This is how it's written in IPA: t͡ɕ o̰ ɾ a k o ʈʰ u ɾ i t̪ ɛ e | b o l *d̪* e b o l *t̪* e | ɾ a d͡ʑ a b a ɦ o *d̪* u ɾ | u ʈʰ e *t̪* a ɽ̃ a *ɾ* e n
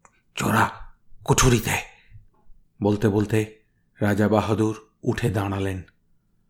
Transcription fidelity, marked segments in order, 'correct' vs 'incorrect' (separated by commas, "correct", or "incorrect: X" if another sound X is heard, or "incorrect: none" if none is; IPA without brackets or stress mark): incorrect: t̪, correct, correct, incorrect: d̪, incorrect: l